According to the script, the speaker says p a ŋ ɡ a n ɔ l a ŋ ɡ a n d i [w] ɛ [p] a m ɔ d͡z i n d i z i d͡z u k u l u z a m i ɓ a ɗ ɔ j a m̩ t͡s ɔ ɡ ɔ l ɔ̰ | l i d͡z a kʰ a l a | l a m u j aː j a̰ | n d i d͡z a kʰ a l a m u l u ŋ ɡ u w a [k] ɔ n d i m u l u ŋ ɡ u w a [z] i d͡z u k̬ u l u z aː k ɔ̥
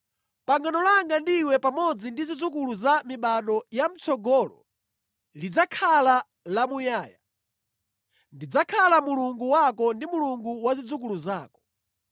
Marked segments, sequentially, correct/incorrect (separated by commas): correct, correct, correct, correct